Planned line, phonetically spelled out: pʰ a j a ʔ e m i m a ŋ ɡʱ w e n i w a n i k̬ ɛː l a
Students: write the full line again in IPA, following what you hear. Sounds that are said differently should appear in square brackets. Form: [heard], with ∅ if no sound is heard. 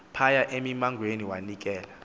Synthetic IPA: pʰ a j a ʔ e m i m a ŋ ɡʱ w e n i w a n i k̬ ɛː l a